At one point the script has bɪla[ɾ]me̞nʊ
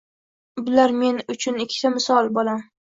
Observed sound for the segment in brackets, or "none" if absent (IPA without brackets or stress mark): ɾ